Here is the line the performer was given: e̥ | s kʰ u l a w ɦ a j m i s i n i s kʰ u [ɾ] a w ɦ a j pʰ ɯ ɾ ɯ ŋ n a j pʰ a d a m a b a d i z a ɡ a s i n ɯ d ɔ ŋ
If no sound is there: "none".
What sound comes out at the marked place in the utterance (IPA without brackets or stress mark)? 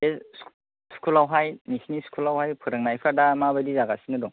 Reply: l